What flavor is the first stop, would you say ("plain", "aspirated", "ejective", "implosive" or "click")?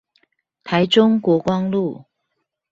aspirated